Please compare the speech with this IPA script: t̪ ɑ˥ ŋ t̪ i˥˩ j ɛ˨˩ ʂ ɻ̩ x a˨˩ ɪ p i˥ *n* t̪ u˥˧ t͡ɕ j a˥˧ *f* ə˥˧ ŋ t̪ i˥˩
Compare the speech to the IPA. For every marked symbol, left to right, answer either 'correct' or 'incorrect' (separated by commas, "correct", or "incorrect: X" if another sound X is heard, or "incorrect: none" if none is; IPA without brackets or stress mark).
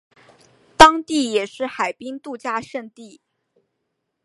incorrect: ŋ, incorrect: ʂ